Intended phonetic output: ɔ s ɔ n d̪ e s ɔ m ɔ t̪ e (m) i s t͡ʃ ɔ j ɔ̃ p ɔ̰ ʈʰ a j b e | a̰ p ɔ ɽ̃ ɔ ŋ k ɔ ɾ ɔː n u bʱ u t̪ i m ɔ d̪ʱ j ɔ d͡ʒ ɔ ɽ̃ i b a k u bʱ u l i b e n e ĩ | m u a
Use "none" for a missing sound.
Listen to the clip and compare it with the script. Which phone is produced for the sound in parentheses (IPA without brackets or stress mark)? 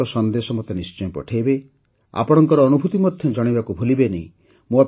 n